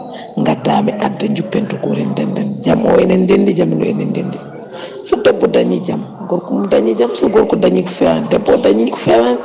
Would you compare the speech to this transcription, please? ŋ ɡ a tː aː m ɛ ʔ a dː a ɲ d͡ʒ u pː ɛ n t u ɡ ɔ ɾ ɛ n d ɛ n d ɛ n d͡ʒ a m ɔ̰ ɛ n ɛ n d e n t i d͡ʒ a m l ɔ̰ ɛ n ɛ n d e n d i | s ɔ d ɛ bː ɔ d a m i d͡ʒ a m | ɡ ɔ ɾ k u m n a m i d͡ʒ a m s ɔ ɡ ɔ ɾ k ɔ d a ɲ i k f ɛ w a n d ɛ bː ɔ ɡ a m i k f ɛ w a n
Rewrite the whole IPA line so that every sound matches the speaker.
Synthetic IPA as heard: ŋ ɡ a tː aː m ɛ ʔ a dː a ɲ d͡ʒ u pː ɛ n t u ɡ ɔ ɾ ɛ n d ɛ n d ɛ n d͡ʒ a m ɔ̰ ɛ n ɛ n d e n d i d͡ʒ a m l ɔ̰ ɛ n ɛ n d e n d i | s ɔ d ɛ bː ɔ d a ɲ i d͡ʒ a m | ɡ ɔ ɾ k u m d a ɲ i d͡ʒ a m s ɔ ɡ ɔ ɾ k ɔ d a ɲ i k f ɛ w a n d ɛ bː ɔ d a ɲ i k f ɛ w a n